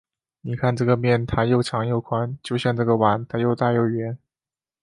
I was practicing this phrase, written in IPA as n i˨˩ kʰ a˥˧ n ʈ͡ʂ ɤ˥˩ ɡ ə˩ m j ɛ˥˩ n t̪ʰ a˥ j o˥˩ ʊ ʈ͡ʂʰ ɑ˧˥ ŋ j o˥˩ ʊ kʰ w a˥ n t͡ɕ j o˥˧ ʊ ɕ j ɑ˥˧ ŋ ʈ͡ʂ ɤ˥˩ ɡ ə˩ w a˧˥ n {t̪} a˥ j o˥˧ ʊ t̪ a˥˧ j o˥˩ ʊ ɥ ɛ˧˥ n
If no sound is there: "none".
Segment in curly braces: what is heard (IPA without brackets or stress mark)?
t̪ʰ